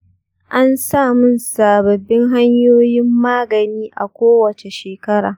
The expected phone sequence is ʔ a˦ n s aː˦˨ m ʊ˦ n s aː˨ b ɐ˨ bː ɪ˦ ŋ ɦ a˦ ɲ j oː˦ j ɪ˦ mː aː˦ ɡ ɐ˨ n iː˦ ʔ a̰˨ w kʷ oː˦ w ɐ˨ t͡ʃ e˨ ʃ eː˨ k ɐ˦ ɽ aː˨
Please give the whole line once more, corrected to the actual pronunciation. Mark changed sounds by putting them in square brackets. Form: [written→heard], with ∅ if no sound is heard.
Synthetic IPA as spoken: ʔ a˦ n s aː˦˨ m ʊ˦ n s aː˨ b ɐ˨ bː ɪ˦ ŋ ɦ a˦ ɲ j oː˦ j ɪ˦ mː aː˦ ɡ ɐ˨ n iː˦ ʔ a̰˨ [w→∅] kʷ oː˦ w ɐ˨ t͡ʃ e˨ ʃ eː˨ k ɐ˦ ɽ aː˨